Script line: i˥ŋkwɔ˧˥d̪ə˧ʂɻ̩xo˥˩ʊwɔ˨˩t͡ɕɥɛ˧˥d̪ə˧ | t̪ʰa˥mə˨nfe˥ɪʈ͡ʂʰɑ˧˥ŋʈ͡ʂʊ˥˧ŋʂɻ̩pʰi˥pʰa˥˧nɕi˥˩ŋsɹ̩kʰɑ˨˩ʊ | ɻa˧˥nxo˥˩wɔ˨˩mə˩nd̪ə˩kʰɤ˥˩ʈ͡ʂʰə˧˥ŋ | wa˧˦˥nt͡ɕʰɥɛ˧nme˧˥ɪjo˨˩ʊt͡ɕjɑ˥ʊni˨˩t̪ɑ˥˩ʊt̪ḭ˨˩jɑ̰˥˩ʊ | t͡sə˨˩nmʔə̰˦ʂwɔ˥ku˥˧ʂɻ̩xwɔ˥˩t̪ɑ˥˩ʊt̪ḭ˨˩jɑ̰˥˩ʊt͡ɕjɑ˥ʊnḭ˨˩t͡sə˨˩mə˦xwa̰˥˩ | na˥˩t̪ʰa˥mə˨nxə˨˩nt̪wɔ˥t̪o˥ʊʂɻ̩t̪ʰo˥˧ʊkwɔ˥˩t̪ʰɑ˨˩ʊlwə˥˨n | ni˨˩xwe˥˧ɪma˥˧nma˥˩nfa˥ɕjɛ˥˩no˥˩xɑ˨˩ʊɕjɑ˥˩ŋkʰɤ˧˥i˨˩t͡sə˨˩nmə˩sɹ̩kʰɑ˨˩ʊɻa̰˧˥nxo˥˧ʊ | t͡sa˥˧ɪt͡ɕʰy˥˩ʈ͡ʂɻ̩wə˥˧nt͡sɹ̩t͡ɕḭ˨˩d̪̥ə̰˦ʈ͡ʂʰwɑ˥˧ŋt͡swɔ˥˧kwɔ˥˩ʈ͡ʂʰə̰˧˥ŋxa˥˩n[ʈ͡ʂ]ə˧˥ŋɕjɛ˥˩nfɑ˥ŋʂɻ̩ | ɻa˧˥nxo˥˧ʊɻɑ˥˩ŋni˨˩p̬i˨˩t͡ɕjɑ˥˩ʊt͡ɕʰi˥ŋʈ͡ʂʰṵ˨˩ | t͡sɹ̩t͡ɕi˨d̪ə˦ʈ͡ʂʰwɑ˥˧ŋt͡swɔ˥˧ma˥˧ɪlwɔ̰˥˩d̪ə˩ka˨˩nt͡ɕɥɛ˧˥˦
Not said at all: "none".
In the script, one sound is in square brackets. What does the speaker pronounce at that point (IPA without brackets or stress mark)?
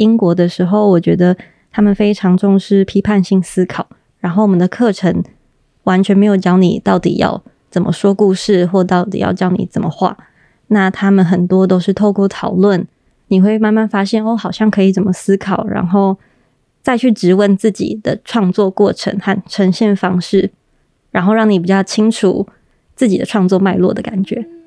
ʈ͡ʂʰ